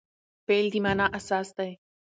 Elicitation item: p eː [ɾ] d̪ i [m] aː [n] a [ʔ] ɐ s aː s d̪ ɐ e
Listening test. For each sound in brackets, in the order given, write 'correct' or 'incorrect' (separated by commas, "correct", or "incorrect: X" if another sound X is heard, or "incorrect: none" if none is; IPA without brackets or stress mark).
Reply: incorrect: l, correct, correct, correct